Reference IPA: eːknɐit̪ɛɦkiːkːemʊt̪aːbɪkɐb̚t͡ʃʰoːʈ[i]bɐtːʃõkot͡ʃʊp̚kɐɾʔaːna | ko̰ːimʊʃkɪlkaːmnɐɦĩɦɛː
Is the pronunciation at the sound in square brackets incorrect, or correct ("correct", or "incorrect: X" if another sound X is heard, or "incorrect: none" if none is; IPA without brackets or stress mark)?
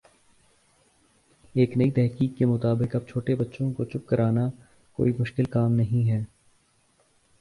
incorrect: e